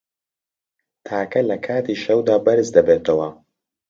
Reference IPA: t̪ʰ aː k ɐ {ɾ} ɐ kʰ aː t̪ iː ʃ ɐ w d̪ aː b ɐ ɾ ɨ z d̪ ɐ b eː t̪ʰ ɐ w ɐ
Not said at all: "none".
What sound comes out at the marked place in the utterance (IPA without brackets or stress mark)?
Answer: l